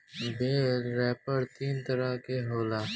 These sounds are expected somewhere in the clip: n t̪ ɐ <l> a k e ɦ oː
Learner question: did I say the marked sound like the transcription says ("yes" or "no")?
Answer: no